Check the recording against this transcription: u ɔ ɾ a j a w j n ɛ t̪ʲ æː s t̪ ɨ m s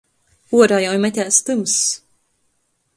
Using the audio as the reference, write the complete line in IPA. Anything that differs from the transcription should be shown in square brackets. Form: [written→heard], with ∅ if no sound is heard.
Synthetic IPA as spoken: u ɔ ɾ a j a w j [n→m] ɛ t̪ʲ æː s t̪ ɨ m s

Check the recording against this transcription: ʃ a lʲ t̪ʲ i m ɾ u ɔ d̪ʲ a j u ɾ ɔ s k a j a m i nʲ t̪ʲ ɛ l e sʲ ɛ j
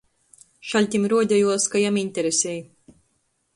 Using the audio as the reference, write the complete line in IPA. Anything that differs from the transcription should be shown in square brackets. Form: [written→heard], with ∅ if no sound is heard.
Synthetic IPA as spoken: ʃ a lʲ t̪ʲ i m ɾ u ɔ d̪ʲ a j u [ɾ→∅] ɔ s k a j a m i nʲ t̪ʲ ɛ [l→ɾ] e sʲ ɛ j

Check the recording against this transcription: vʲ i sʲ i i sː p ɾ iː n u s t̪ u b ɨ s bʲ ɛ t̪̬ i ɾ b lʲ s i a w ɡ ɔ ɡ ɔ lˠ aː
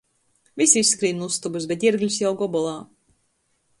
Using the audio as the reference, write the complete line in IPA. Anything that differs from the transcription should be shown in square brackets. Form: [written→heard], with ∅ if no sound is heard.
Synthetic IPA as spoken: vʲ i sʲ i i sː [p→k] ɾ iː n u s t̪ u b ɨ s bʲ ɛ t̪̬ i ɾ [b→ɡ] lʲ s [i→j] a w ɡ ɔ [ɡ→b] ɔ lˠ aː

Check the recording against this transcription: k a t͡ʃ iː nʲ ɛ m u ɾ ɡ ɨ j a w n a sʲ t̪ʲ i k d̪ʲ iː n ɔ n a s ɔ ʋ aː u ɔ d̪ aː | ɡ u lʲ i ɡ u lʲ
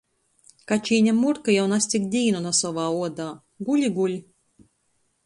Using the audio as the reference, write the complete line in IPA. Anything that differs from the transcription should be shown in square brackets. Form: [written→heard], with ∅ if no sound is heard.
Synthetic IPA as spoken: k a t͡ʃ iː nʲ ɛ m u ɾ [ɡ→k] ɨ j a w n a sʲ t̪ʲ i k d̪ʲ iː n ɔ n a s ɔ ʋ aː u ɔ d̪ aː | ɡ u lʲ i ɡ u lʲ

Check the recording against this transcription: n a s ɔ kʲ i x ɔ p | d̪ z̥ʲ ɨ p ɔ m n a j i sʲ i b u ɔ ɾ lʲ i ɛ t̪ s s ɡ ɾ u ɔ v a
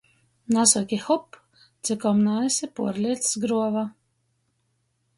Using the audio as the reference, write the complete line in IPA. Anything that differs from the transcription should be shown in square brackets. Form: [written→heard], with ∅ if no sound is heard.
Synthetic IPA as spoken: n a s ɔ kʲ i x ɔ p | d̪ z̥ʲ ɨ [p→k] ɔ m n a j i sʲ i [b→p] u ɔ ɾ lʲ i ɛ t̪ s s ɡ ɾ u ɔ v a

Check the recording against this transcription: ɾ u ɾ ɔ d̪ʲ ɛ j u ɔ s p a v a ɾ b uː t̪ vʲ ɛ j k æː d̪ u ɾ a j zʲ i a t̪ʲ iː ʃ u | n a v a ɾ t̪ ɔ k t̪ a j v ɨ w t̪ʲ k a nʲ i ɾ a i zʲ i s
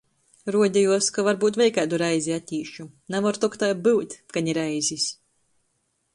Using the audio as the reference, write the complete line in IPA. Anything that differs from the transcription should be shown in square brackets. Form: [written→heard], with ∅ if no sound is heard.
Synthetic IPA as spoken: ɾ u [ɾ→∅] ɔ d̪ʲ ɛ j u ɔ s [p→k] a v a ɾ b uː t̪ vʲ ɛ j k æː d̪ u ɾ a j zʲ i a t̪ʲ iː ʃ u | n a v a ɾ t̪ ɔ k t̪ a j [v→b] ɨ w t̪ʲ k a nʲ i ɾ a [i→j] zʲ i s

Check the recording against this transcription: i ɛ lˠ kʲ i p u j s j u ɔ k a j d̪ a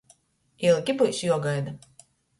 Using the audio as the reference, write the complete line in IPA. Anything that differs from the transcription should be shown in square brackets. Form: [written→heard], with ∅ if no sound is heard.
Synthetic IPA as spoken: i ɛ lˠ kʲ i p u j s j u ɔ [k→ɡ] a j d̪ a

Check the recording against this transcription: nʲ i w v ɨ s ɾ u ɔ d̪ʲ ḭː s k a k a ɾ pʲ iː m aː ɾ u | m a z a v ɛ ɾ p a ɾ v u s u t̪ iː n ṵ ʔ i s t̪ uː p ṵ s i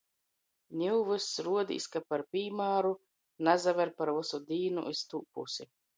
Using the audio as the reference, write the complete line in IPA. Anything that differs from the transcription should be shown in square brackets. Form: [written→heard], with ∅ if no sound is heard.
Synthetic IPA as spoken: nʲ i w v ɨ s ɾ u ɔ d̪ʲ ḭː s k a [k→p] a ɾ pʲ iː m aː ɾ u | [m→n] a z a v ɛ ɾ p a ɾ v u s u [t̪→d̪] iː n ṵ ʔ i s t̪ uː p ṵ s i

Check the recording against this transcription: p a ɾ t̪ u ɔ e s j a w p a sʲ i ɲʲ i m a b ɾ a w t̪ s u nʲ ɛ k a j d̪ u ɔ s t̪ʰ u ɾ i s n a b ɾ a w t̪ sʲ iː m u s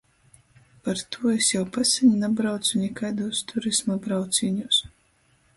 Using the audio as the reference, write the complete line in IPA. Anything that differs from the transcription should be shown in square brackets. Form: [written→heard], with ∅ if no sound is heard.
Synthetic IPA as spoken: p a ɾ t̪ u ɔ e s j a w p a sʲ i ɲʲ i [m→n] a b ɾ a w t̪ s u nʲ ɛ k a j d̪ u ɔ s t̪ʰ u ɾ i s [n→m] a b ɾ a w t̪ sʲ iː [m→ɲ] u s

